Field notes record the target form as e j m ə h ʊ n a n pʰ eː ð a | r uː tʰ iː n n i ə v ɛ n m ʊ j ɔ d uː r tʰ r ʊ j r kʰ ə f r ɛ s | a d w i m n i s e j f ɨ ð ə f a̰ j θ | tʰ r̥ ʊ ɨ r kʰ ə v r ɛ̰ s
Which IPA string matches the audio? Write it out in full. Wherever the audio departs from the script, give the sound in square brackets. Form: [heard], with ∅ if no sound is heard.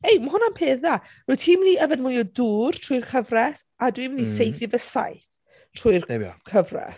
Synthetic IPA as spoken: e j m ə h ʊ n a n pʰ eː ð a | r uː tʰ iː [m] n i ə v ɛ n m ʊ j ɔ d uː r tʰ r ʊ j r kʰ ə [v] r ɛ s | a d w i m n i s e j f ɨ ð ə [s] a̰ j θ | tʰ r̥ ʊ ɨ r kʰ ə v r ɛ̰ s